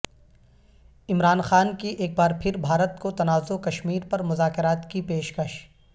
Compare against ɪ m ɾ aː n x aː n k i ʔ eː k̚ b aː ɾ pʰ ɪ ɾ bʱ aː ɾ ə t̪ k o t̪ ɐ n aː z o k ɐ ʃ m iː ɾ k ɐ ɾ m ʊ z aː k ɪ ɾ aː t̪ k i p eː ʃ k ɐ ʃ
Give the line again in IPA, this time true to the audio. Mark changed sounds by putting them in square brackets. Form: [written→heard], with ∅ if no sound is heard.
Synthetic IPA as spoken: ɪ m ɾ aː n x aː n k i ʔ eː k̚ b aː ɾ pʰ ɪ ɾ bʱ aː ɾ ə t̪ k o t̪ ɐ n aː z o k ɐ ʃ m iː ɾ [k→p] ɐ ɾ m ʊ z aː k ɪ ɾ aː t̪ k i p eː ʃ k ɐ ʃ